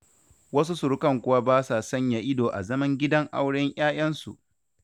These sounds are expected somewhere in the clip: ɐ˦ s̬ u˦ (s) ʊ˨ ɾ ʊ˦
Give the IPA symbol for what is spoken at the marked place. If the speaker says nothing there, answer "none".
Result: s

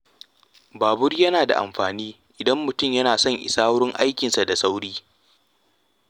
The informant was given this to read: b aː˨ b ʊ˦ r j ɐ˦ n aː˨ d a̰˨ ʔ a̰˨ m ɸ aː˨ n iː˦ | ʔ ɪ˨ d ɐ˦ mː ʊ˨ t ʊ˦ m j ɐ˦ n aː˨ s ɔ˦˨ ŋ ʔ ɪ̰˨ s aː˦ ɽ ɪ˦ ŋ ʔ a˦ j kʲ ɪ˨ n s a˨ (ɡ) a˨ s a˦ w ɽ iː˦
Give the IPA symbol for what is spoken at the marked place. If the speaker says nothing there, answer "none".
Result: d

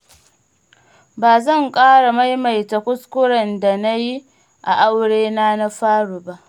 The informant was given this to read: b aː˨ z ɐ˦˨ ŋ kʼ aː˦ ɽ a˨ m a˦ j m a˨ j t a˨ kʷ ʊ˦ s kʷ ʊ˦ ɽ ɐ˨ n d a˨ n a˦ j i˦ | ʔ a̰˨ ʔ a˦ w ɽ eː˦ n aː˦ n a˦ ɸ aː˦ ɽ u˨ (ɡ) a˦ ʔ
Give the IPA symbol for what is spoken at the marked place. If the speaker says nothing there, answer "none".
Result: b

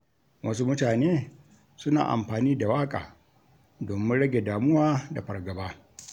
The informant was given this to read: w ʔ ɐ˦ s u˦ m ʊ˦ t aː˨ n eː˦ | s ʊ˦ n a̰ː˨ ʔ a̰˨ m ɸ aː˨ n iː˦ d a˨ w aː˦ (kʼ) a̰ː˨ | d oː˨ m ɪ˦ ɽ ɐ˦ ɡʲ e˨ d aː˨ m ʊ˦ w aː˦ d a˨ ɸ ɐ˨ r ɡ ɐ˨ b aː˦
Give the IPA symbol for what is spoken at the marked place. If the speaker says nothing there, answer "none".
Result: kʼ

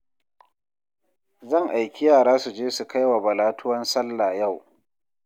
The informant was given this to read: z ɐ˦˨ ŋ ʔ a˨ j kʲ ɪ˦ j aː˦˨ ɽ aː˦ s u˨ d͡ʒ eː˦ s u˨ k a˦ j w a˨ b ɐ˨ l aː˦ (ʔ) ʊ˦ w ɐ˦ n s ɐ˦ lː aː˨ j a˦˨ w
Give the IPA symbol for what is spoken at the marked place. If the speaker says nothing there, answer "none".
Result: t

